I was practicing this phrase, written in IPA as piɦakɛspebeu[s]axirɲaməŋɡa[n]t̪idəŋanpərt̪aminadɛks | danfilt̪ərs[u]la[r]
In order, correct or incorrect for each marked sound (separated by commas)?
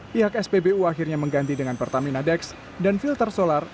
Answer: incorrect, correct, incorrect, correct